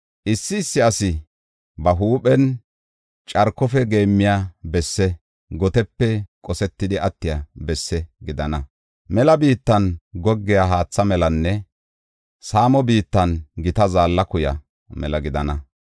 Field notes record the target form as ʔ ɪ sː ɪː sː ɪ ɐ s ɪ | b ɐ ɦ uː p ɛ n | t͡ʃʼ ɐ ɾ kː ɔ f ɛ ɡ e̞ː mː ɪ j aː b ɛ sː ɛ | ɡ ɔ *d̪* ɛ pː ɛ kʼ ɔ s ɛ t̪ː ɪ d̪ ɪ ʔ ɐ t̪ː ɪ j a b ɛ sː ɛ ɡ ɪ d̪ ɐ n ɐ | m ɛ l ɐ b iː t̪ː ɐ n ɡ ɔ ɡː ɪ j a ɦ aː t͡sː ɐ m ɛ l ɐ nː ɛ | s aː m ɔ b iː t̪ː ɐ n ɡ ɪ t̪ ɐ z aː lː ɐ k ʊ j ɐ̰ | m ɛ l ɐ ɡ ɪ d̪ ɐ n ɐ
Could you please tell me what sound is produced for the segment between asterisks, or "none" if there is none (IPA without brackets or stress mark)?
t̪